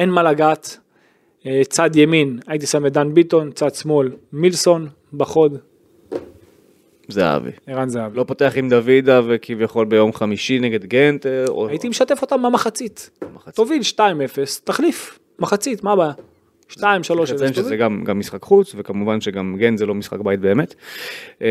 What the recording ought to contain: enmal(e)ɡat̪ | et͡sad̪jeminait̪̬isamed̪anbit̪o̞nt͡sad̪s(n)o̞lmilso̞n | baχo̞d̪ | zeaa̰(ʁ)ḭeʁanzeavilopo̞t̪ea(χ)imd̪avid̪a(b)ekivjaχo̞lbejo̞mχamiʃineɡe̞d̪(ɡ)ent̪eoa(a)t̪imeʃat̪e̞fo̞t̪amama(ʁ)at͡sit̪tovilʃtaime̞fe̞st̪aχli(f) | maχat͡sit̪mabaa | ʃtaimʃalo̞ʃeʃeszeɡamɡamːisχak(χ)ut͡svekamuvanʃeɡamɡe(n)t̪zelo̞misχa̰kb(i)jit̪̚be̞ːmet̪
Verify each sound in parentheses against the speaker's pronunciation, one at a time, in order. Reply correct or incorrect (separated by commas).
incorrect, incorrect, incorrect, correct, incorrect, correct, incorrect, incorrect, correct, correct, correct, incorrect